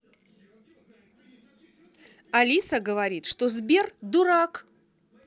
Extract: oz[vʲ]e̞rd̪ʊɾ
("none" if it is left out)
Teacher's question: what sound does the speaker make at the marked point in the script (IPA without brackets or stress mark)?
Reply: bʲ